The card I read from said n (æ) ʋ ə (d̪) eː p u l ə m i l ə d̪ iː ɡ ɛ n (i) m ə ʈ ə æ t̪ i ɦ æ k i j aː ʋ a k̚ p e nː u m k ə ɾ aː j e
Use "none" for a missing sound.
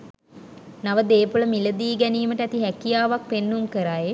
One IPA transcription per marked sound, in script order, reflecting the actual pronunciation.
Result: a, d̪, iː

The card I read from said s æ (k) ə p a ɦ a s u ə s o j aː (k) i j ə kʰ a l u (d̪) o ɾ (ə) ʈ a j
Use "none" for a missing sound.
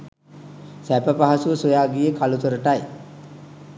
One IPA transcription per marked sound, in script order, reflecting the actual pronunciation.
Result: p, ɡ, t̪, ə

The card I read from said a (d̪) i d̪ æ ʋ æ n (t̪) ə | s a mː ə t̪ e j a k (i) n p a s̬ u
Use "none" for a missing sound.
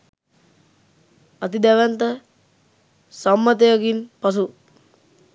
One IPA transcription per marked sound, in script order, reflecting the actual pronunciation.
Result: t̪, t̪, i

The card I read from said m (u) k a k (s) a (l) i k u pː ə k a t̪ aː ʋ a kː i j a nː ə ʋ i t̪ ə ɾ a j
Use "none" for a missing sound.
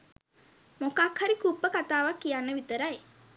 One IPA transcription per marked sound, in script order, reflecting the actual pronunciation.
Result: o, h, ɾ

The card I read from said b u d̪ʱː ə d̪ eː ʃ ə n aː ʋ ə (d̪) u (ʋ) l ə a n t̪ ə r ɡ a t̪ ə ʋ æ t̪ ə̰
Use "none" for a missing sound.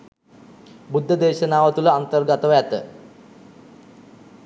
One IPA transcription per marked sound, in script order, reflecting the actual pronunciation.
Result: t̪, none

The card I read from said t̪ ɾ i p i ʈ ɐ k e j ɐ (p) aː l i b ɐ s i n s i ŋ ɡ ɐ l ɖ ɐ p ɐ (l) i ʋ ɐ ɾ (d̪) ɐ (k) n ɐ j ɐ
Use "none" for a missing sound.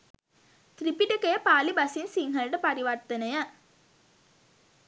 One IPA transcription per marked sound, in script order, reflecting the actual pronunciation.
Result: p, ɾ, t̪, none

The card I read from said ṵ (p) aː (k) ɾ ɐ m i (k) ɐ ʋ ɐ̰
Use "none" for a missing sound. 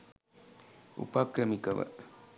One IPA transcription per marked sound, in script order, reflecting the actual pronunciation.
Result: p, k, k

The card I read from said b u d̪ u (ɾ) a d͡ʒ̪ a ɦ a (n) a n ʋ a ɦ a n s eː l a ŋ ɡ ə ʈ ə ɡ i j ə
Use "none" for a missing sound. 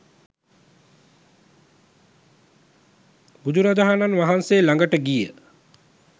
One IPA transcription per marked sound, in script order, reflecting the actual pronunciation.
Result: ɾ, n

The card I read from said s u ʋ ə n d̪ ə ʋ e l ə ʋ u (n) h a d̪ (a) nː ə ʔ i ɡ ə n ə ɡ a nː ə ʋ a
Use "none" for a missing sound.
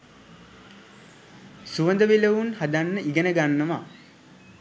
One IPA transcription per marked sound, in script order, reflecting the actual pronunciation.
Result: n, a

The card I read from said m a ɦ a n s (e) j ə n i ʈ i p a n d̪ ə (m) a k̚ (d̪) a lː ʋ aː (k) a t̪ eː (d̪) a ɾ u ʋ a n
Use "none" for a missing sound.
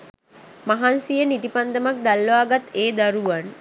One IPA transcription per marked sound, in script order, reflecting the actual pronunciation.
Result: i, m, d̪, ɡ, d̪

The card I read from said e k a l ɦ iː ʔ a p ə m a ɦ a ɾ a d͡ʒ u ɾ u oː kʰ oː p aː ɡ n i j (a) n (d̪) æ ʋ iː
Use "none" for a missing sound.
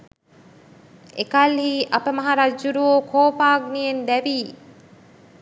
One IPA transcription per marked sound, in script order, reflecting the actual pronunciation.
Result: e, d̪

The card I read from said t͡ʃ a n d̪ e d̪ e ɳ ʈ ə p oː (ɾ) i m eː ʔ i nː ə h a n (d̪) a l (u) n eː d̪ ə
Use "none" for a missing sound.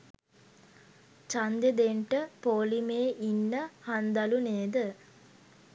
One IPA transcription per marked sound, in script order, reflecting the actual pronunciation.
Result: l, d̪, u

